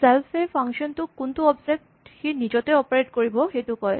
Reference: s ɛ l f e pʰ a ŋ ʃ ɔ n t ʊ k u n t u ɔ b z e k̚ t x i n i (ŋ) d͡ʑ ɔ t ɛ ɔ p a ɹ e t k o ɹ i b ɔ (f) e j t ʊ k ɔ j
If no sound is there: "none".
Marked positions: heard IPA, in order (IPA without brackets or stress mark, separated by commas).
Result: none, x